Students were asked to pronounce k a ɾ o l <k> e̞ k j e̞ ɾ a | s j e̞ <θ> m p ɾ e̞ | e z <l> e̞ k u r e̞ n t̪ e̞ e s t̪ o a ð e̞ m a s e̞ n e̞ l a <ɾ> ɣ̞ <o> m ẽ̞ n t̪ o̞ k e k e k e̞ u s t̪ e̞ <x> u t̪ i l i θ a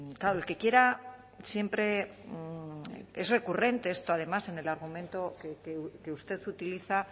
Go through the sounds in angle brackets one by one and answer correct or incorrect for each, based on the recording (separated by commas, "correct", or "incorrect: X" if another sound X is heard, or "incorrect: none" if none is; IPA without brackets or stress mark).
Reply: correct, incorrect: none, incorrect: r, correct, incorrect: u, incorrect: θ